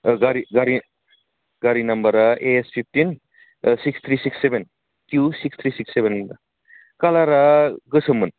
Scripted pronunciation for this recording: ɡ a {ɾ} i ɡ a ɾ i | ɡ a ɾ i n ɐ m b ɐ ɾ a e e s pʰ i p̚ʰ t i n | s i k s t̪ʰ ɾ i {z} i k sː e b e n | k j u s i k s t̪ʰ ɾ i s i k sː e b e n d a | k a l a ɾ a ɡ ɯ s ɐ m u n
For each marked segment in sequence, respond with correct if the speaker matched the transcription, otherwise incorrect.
correct, incorrect: s

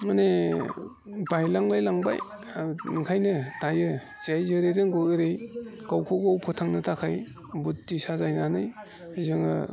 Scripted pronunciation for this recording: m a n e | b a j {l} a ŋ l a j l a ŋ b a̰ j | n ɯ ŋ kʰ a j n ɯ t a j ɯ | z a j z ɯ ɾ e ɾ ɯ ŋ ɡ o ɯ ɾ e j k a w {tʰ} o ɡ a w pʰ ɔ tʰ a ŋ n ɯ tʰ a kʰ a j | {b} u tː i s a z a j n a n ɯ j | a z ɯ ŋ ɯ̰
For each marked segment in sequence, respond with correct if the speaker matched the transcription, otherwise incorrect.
correct, incorrect: kʰ, correct

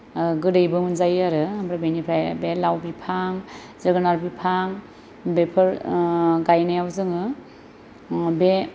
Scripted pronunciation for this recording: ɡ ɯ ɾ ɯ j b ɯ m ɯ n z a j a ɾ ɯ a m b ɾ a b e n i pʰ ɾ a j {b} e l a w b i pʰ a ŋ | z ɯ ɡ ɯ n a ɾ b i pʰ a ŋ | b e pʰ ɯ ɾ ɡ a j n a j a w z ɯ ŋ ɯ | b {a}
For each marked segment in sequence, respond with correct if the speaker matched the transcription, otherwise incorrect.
correct, incorrect: e

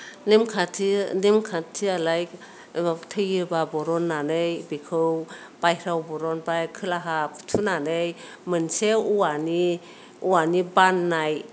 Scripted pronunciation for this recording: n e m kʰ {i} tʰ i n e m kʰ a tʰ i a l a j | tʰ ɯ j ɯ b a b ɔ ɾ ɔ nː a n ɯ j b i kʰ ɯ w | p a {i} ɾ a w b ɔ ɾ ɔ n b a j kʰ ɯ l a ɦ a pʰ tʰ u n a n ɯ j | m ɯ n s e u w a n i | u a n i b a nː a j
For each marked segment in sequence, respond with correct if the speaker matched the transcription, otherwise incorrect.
incorrect: a, incorrect: j

